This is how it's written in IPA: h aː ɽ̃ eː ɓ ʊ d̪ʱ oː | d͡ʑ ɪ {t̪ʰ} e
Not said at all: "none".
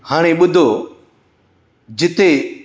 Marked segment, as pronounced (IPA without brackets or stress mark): t̪